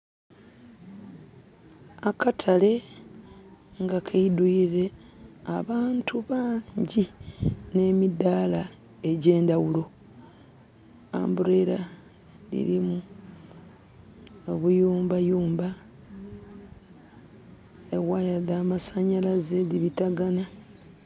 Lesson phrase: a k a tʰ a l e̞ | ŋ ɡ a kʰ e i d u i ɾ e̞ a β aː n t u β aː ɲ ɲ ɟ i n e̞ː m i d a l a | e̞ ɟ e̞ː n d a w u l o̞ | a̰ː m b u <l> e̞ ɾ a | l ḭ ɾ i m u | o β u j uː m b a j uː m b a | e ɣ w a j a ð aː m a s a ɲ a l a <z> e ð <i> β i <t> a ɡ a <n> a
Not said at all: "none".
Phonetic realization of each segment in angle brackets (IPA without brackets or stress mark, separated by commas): ɾ, z, i, t, n